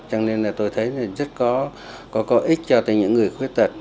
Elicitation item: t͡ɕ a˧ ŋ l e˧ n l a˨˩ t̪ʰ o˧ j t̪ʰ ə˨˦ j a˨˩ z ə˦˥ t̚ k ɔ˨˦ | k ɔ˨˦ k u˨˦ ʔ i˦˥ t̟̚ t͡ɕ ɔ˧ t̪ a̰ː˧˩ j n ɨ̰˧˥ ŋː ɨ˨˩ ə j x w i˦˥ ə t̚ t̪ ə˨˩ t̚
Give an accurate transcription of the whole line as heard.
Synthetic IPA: t͡ɕ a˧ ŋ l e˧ n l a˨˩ t̪ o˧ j t̪ʰ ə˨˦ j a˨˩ z ə˦˥ t̚ k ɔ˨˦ | k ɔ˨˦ k ɔ˨˦ ʔ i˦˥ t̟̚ t͡ɕ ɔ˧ t̪ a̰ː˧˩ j ɲ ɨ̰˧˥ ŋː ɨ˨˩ ə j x w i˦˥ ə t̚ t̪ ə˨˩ t̚

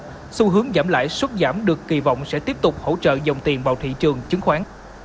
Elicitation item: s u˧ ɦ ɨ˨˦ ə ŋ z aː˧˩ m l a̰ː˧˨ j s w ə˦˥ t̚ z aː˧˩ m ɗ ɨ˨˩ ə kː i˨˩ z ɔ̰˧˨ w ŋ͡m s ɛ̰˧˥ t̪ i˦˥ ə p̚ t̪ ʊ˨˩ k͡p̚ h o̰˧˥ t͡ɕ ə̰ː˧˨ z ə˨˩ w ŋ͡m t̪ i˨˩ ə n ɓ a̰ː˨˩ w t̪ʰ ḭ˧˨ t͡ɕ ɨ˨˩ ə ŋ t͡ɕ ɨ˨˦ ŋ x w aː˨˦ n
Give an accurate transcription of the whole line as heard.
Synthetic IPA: s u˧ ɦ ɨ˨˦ ə ŋ z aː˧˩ m l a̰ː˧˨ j s w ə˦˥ t̚ z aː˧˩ m ɗ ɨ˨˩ ə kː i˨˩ v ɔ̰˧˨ w ŋ͡m s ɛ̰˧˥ t̪ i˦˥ ə p̚ t̪ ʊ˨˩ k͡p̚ h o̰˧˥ t͡ɕ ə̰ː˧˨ z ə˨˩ w ŋ͡m t̪ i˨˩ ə n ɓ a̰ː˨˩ w t̪ʰ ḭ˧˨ t͡ɕ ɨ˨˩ ə ŋ t͡ɕ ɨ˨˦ ŋ x w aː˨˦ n

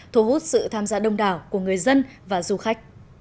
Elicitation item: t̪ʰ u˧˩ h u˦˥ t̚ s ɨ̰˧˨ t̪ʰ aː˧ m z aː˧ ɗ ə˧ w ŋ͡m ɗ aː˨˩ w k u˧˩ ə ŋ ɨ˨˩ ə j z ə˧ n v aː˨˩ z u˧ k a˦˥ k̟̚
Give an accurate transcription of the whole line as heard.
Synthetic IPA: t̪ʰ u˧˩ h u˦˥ t̚ s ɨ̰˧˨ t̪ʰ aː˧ m z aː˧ ɗ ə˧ w ŋ͡m ɗ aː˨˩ w k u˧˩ ə ŋ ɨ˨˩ ə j z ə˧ n v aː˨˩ z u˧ x a˦˥ k̟̚

